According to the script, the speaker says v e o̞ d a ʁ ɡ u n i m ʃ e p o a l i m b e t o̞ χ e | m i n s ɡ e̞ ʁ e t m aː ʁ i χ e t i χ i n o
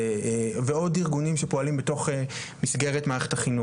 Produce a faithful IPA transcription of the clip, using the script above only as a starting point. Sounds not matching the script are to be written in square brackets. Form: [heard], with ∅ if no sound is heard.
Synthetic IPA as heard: v e o̞ d [i] ʁ ɡ u n i m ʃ e p o a l i m b e t o̞ χ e | m i [∅] s ɡ e̞ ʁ e t m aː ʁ [e] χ e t [a] χ i n [u]

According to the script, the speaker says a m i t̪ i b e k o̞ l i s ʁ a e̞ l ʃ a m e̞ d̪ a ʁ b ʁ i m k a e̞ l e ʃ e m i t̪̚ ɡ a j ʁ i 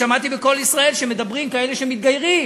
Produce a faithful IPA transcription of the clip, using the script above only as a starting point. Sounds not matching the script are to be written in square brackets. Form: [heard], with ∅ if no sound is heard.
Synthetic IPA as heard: a m [a] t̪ i b e k o̞ l i s ʁ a e̞ l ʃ [e] m e̞ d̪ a [∅] b ʁ i m k a e̞ l e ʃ e m i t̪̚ ɡ a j ʁ i

